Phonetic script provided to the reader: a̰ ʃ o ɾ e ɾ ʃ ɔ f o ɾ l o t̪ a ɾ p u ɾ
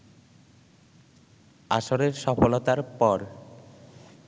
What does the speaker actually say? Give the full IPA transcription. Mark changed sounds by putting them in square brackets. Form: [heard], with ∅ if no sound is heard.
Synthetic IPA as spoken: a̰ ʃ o ɾ e ɾ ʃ ɔ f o [∅] l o t̪ a ɾ p [ɔ] ɾ